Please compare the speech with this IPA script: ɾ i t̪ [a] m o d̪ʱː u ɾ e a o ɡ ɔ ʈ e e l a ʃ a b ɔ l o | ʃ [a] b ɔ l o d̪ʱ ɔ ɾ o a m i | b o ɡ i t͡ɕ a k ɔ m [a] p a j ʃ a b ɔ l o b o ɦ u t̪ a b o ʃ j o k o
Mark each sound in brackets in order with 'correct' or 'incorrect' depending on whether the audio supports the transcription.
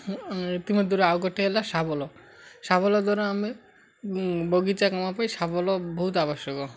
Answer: incorrect: i, correct, correct

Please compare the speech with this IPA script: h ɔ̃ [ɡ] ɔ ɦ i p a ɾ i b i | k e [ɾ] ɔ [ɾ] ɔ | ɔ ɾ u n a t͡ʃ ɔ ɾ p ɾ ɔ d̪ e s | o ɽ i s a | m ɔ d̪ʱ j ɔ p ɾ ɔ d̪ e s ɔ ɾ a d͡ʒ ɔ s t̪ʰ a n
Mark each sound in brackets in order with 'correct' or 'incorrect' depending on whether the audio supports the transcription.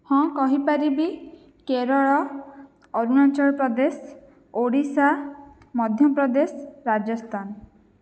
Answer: incorrect: k, correct, incorrect: ɭ

